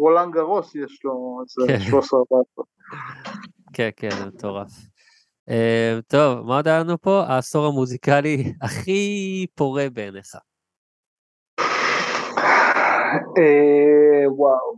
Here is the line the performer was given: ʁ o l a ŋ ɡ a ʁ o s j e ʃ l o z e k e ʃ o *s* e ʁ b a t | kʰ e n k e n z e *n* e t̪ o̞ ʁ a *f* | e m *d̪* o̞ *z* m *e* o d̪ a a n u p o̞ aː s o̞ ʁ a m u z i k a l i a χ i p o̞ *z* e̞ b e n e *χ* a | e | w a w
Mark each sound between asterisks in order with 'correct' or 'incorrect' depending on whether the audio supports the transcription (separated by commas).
correct, incorrect, correct, incorrect, incorrect, incorrect, incorrect, correct